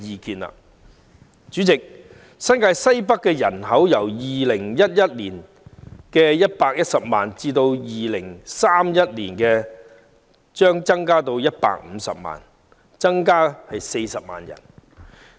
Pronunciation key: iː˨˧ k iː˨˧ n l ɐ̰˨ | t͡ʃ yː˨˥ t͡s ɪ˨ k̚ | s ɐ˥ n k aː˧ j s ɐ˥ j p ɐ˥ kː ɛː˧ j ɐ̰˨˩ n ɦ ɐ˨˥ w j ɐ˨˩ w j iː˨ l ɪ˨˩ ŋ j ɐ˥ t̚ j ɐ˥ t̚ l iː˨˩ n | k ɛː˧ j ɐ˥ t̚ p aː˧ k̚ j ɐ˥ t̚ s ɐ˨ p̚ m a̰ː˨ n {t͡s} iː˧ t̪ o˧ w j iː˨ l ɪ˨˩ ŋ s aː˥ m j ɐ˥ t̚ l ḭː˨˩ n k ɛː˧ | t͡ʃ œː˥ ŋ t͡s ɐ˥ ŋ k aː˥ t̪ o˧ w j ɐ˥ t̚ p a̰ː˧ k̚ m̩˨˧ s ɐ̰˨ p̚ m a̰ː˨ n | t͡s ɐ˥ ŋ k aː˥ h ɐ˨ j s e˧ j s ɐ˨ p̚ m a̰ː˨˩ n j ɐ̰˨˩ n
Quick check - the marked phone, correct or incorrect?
correct